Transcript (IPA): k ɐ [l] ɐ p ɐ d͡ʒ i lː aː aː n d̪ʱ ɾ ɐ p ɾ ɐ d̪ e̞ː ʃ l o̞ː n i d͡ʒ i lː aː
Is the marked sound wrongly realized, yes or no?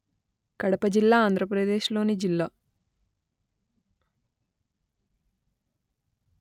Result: yes